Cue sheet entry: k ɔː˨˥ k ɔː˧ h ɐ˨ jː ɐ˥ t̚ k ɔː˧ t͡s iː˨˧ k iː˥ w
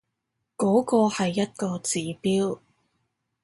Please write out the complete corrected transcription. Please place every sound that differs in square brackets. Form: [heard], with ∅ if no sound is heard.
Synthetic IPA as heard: k ɔː˨˥ k ɔː˧ h ɐ˨ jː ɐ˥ t̚ k ɔː˧ t͡s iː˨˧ [p] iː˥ w